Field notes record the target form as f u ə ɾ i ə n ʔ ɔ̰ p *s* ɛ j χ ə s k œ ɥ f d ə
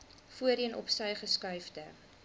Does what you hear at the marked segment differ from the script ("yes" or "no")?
no